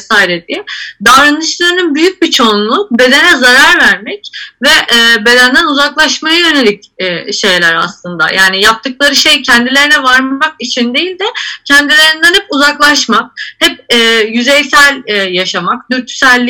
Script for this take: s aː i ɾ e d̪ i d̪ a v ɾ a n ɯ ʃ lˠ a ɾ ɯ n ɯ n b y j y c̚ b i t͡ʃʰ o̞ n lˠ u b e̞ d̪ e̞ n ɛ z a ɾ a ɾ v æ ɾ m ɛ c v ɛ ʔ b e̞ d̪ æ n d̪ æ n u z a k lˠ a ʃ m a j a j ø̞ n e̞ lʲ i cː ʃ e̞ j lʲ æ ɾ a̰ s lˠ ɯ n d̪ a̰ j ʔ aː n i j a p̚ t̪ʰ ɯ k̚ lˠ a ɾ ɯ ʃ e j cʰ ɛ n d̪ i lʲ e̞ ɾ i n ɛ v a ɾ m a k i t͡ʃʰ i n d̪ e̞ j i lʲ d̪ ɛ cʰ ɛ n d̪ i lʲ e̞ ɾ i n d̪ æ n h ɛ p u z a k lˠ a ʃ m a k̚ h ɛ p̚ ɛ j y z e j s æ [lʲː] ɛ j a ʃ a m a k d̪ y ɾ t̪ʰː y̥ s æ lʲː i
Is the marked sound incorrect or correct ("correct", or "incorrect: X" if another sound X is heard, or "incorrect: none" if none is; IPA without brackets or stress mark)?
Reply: incorrect: lʲ